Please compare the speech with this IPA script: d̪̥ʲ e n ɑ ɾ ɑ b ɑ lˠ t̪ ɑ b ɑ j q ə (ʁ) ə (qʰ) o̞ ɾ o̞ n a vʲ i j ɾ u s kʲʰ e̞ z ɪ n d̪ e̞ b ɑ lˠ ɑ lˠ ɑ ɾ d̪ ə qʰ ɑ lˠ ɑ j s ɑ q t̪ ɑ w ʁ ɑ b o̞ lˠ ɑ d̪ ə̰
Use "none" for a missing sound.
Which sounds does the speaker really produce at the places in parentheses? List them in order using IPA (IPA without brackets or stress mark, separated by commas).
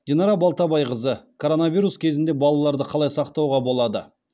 z, kʰ